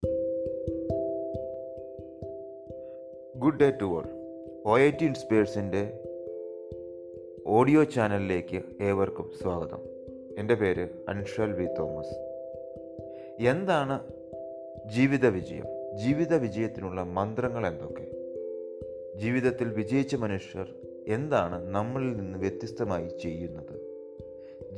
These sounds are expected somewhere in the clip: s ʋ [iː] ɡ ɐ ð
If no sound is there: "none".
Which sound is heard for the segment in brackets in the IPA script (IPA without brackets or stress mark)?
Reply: aː